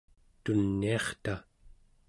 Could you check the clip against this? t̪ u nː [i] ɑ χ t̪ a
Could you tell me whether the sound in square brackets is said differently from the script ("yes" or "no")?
no